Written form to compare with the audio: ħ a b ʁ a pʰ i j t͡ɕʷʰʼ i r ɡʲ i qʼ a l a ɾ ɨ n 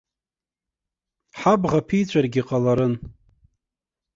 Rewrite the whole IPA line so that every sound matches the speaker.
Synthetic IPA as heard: ħ a b ʁ a pʰ i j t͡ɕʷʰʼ a r ɡʲ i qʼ a l a ɾ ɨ n